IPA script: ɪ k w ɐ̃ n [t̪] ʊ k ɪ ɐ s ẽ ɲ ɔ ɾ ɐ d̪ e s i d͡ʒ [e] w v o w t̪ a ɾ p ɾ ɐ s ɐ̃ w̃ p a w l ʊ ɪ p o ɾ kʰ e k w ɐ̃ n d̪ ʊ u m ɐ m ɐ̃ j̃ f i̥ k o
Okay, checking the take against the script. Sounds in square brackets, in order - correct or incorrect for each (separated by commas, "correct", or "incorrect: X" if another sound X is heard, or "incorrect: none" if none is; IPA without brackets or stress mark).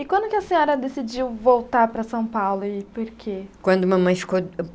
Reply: incorrect: d̪, incorrect: i